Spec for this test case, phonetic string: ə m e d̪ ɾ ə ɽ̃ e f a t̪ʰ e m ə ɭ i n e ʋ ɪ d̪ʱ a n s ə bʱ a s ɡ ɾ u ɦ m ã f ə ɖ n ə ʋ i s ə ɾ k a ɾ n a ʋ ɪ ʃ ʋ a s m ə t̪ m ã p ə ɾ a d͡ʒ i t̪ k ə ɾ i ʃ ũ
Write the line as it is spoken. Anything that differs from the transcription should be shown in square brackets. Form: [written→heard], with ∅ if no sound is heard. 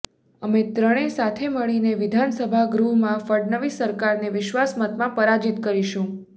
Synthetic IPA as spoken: ə m e [d̪→t̪] ɾ ə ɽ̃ e [f→s] a t̪ʰ e m ə ɭ i n e ʋ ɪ d̪ʱ a n s ə bʱ a [s→∅] ɡ ɾ u ɦ m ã f ə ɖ n ə ʋ i s ə ɾ k a ɾ n [a→e] ʋ ɪ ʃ ʋ a s m ə t̪ m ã p ə ɾ a d͡ʒ i t̪ k ə ɾ i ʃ ũ